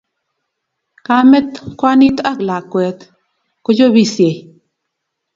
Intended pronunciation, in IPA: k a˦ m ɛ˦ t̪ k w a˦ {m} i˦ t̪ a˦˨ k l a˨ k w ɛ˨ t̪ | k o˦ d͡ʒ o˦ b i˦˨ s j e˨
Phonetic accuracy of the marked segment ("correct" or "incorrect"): incorrect